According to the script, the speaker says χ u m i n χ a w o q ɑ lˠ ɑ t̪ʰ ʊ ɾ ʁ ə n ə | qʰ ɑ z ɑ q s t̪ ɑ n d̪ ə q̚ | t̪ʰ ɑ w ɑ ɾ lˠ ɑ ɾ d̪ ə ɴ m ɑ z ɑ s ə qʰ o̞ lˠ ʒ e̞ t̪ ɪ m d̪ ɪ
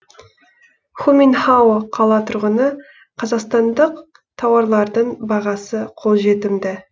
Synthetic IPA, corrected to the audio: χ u m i n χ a w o qʰ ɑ lˠ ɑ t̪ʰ ʊ ɾ ʁ ə n ə | qʰ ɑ z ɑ q s t̪ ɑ n d̪ ə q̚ | t̪ʰ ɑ w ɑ ɾ lˠ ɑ ɾ d̪ ə ɴ b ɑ ʁ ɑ s ə qʰ o̞ lˠ ʒ e̞ t̪ ɪ m d̪ ɪ